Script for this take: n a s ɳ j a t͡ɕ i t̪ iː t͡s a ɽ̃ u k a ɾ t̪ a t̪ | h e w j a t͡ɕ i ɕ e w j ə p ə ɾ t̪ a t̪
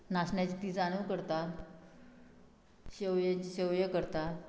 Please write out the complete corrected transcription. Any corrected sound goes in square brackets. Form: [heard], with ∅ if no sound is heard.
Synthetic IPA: n a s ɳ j a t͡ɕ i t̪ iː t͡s a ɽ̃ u k [ə] ɾ t̪ a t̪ | [ɕ] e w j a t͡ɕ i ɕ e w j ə [k] ə ɾ t̪ a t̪